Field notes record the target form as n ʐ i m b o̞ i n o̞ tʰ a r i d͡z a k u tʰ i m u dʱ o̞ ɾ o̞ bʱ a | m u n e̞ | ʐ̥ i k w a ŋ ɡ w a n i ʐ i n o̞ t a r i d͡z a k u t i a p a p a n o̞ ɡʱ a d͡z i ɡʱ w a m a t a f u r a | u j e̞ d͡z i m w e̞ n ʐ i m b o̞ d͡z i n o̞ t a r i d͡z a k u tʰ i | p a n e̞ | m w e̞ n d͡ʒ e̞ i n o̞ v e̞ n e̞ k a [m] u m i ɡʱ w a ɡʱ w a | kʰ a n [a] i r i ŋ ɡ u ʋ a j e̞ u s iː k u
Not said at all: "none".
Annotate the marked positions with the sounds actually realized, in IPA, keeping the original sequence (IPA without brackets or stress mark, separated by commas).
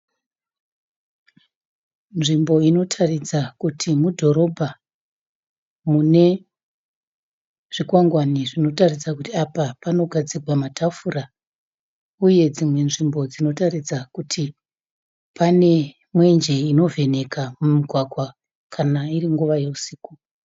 m, a